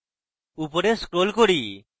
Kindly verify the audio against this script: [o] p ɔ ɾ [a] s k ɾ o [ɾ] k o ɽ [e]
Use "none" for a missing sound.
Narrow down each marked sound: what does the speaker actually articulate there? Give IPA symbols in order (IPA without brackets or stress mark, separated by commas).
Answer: u, e, l, i